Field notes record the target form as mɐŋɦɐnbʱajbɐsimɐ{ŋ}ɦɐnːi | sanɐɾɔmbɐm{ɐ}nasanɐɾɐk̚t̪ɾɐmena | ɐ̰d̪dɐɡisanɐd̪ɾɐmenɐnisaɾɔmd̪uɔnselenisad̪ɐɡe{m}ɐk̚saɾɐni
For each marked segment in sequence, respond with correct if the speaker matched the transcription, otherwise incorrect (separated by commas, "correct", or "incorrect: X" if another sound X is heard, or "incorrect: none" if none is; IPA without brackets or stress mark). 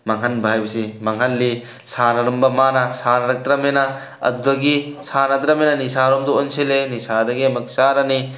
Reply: correct, incorrect: a, correct